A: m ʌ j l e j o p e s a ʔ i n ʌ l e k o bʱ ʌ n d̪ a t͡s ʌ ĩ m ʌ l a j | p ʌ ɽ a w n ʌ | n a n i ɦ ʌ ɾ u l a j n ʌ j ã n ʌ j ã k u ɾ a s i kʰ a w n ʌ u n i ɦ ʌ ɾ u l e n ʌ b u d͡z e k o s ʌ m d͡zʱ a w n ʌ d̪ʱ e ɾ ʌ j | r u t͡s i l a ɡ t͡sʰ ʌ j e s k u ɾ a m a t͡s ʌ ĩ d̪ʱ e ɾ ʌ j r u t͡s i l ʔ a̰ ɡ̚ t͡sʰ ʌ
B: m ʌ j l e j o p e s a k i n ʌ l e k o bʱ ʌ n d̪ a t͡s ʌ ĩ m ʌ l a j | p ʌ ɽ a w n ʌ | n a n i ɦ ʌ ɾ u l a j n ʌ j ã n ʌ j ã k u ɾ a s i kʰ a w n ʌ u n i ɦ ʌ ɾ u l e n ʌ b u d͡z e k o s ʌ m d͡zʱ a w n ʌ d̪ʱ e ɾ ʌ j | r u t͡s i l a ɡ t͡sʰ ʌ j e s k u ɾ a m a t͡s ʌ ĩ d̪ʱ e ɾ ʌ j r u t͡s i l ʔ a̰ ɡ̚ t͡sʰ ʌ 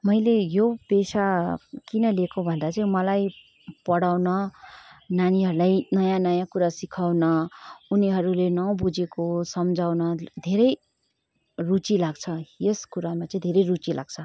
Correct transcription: B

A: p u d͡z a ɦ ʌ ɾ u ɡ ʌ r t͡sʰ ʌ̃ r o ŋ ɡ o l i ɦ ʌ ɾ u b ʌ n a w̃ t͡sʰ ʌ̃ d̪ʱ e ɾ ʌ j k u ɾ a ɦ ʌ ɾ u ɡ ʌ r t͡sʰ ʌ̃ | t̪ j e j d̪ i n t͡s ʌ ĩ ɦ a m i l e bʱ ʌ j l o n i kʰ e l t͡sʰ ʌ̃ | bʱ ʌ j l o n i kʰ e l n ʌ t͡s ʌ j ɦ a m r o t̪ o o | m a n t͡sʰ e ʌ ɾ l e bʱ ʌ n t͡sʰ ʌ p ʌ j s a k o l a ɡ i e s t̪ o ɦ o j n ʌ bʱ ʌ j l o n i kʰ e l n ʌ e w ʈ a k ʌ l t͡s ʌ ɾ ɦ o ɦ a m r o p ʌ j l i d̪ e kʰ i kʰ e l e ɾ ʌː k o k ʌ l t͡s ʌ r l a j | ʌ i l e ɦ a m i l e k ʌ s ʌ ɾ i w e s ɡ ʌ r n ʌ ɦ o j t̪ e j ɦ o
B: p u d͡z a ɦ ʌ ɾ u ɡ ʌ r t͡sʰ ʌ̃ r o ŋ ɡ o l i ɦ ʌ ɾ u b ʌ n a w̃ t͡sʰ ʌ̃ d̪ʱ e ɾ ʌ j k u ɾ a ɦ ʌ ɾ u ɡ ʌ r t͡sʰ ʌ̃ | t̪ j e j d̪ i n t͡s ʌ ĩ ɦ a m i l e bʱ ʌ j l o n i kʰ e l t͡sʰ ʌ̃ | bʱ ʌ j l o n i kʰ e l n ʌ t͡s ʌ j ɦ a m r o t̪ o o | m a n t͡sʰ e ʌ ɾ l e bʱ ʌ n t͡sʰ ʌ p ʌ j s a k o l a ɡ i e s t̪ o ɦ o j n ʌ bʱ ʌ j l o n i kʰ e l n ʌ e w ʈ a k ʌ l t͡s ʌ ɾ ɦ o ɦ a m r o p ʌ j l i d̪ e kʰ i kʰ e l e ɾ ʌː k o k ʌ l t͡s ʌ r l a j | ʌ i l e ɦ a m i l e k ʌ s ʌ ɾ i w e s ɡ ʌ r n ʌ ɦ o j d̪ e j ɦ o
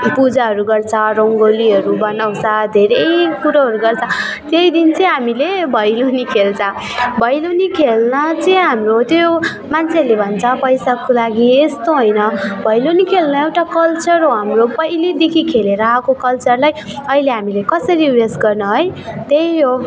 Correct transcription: A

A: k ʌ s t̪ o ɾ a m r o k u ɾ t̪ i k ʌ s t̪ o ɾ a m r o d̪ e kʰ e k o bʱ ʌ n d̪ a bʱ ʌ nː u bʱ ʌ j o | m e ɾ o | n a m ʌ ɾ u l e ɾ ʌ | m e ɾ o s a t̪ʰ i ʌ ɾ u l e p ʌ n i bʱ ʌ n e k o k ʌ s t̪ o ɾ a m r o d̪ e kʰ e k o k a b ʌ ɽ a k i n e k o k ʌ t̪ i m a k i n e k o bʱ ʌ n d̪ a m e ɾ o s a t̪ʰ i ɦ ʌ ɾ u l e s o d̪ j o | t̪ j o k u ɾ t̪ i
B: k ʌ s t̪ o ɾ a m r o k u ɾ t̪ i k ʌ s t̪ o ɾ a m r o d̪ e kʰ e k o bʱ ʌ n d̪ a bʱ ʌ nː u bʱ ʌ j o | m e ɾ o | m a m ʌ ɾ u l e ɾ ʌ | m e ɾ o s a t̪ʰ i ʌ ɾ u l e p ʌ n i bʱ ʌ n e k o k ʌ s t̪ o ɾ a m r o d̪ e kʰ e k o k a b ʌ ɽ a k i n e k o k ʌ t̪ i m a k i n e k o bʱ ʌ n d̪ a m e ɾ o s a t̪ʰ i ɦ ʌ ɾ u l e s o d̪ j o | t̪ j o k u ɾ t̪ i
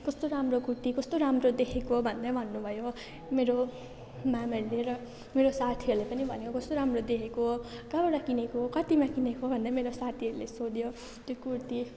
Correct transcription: B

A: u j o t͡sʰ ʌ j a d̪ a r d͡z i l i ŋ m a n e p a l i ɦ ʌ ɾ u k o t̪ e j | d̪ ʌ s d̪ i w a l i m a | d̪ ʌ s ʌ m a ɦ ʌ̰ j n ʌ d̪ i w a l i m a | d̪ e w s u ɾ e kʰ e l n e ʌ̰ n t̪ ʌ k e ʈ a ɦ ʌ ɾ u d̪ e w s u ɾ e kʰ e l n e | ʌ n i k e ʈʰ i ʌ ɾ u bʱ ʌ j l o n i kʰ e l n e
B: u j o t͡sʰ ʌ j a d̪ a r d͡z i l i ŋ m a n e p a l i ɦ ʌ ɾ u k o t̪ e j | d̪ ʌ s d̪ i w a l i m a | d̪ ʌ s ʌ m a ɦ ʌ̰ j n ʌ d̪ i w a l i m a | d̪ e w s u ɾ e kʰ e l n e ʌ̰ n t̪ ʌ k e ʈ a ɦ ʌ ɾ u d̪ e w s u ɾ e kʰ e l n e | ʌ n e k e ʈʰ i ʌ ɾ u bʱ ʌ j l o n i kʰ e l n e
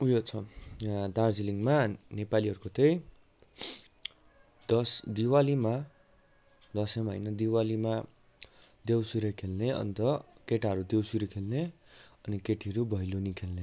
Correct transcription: A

